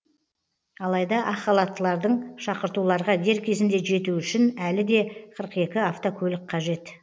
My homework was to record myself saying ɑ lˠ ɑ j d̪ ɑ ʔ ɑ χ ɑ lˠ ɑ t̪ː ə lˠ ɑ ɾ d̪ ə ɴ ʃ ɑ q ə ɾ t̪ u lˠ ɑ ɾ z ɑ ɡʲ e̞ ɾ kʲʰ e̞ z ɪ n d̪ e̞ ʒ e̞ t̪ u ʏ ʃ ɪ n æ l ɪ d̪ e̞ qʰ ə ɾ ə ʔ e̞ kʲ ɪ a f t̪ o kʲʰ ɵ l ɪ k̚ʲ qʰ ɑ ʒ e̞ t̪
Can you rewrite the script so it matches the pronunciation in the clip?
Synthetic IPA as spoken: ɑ lˠ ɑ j d̪ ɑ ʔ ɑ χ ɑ lˠ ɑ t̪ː ə lˠ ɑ ɾ d̪ ə ɴ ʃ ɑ q ə ɾ t̪ u lˠ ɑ ɾ ʁ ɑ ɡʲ e̞ ɾ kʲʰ e̞ z ɪ n d̪ e̞ ʒ e̞ t̪ u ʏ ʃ ɪ n æ l ɪ d̪ e̞ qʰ ə ɾ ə q e̞ kʲ ɪ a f t̪ o kʲʰ ɵ l ɪ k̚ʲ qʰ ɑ ʒ e̞ t̪